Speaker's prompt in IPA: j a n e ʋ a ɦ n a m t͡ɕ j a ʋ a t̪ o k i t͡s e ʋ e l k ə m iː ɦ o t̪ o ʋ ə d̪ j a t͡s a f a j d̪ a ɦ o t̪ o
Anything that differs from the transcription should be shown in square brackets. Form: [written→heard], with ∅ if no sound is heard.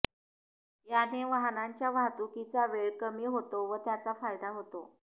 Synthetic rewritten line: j a n e ʋ a ɦ n a [m→ɲ] t͡ɕ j a ʋ a t̪ [o→u] k i t͡s [e→a] ʋ e [l→ɭ] k ə m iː ɦ o t̪ o ʋ ə [d̪→t̪] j a t͡s a f a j d̪ a ɦ o t̪ o